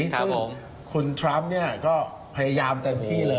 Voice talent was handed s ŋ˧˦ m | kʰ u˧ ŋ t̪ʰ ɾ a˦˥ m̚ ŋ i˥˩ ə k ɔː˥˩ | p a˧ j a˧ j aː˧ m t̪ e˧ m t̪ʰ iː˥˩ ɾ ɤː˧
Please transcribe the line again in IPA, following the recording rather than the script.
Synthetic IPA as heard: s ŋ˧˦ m | kʰ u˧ n t̪ʰ ɾ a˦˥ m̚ n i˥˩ ɐ k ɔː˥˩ | pʰ a˧ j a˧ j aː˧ m t̪ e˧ m t̪ʰ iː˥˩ l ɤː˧